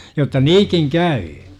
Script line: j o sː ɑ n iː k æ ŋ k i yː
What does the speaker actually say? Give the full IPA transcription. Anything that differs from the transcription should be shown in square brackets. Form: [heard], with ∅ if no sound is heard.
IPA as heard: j o [tː] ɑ n iː k [i] ŋ k [æ] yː